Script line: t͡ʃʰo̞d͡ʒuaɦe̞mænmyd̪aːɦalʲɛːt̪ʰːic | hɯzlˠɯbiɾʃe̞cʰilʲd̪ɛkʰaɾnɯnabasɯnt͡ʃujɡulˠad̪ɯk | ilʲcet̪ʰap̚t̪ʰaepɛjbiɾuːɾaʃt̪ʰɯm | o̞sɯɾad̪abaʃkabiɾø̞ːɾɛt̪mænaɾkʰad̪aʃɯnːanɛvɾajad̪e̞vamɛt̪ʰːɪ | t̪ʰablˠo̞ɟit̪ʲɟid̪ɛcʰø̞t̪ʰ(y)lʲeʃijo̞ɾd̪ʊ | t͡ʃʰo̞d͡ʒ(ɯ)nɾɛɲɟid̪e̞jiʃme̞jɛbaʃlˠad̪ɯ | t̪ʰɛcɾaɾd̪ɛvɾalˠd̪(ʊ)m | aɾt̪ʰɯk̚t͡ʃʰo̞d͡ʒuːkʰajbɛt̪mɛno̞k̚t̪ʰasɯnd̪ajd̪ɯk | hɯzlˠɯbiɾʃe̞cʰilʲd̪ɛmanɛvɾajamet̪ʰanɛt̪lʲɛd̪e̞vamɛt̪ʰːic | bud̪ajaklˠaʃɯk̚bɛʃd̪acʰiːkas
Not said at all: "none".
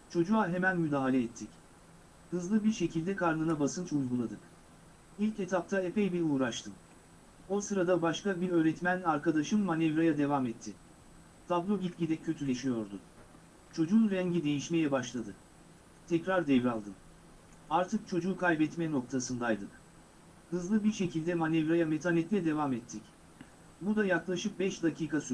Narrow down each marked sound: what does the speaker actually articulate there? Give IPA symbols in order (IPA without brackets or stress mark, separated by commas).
y, u, ɯ